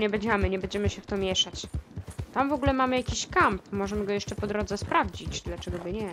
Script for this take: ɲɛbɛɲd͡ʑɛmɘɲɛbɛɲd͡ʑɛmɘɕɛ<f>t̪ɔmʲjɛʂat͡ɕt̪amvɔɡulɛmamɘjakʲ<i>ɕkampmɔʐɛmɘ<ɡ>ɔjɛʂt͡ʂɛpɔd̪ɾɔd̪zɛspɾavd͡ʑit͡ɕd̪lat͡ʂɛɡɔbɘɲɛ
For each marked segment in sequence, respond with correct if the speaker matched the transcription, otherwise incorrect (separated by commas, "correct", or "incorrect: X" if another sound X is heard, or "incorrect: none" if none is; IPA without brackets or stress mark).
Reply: correct, correct, correct